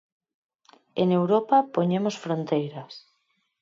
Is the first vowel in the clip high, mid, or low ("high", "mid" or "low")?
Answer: mid